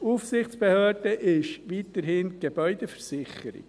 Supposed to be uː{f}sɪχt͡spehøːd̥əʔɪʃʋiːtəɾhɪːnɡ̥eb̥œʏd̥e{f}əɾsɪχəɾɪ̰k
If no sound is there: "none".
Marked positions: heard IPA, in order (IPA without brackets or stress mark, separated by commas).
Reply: f, f